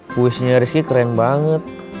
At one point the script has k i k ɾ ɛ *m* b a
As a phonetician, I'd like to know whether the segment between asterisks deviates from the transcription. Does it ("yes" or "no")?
yes